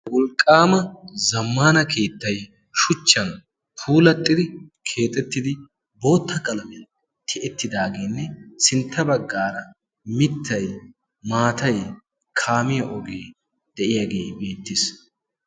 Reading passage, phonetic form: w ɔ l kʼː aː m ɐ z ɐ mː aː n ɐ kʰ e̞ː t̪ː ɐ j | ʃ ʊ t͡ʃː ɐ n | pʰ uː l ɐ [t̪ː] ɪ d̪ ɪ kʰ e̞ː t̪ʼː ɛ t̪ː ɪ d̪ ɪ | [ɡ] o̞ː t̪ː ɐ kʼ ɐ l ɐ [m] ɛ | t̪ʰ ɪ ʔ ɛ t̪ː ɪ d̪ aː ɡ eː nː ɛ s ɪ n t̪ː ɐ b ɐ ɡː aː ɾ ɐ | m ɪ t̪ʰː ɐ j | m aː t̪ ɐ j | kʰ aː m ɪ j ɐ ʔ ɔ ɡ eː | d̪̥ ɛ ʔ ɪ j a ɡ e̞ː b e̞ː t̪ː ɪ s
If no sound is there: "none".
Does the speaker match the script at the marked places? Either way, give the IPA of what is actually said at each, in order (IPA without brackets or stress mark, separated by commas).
t̪ʼː, b, m